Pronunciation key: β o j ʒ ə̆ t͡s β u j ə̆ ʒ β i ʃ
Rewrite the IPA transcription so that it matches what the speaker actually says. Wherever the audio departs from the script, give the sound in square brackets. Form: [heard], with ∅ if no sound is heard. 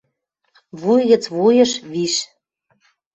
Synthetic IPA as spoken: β [u] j [ɣ] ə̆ t͡s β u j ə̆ [ʃ] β i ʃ